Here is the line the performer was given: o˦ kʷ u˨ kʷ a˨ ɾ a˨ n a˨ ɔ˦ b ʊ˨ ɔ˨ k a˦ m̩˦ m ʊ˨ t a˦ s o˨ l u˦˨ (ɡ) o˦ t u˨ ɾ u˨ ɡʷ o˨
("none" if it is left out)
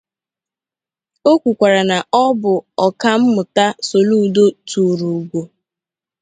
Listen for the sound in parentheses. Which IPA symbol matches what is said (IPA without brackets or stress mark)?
d